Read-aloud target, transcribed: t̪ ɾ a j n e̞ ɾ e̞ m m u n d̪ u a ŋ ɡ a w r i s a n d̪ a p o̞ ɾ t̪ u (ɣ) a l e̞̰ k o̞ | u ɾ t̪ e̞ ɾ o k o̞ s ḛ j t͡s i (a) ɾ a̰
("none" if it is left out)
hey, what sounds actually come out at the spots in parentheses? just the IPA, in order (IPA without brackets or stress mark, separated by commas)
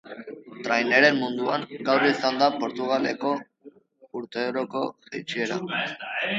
ɣ, e